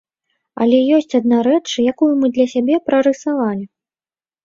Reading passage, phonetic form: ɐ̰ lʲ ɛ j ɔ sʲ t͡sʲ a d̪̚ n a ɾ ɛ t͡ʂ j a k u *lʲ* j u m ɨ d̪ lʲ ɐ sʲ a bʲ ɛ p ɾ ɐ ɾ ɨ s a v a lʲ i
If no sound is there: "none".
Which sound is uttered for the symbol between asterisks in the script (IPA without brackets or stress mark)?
none